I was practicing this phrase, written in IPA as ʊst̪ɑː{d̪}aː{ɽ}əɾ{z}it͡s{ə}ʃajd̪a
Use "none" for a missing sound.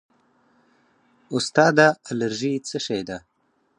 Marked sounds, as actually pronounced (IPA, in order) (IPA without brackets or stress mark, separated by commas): d̪, l, ʒ, ə